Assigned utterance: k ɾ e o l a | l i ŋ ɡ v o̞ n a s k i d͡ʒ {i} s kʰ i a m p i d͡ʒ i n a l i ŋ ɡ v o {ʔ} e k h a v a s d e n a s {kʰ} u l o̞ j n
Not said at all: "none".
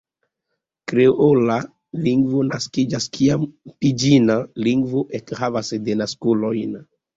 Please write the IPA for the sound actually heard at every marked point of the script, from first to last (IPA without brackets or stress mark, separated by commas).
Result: a, ʔ, k